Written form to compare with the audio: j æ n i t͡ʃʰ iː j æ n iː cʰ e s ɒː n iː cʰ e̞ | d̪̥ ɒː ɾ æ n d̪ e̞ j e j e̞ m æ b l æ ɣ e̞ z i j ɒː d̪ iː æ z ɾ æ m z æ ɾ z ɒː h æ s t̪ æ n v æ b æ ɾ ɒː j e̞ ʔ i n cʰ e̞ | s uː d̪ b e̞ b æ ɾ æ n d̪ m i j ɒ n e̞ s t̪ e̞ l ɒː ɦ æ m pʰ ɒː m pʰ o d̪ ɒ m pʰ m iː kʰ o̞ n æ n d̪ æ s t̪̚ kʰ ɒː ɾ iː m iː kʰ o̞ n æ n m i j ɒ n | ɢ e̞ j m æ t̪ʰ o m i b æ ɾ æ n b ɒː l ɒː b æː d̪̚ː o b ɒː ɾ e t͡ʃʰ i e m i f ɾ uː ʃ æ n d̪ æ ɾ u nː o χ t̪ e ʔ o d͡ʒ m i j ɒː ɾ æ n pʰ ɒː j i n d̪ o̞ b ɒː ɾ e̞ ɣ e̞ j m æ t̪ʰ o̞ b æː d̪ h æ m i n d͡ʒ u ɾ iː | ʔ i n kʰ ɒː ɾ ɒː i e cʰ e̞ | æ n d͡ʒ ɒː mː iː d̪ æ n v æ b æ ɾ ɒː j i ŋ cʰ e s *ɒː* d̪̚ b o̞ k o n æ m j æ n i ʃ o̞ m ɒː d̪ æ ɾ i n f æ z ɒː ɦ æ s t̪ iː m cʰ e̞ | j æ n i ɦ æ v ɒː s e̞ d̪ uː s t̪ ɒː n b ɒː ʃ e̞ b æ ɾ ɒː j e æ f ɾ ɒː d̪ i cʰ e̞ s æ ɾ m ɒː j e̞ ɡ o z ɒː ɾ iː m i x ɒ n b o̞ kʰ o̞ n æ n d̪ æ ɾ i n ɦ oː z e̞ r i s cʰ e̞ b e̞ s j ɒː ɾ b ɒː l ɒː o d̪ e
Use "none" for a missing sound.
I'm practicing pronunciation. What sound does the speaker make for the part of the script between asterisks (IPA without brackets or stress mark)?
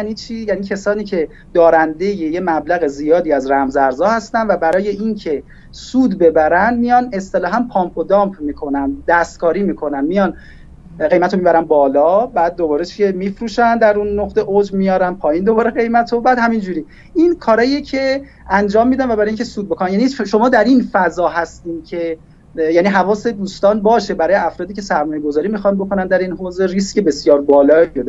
uː